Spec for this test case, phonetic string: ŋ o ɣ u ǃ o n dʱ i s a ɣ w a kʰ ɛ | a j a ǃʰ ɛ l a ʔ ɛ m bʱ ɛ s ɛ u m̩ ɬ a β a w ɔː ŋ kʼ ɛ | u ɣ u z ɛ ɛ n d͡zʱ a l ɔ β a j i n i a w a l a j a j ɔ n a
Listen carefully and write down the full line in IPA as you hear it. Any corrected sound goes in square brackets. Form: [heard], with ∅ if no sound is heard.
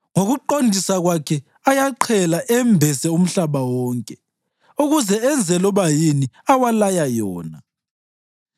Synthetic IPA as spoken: ŋ o ɣ u ǃ o n dʱ i s a ɣ w a kʰ ɛ | a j a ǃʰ ɛ l a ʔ ɛ m bʱ ɛ s ɛ u m̩ ɬ a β a w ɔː ŋ kʼ ɛ | u ɣ u z ɛ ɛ n d͡zʱ [ɛ] l ɔ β a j i n i a w a l a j a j [ɔː] n a